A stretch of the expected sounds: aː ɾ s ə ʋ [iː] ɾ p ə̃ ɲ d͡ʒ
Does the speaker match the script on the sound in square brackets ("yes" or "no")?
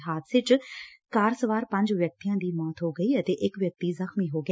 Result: no